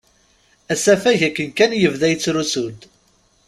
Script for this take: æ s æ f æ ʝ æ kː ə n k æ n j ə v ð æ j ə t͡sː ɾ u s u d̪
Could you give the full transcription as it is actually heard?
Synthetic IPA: æ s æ f æ ʝ æ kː ə n k æ n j ə v ð æ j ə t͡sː ɾ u s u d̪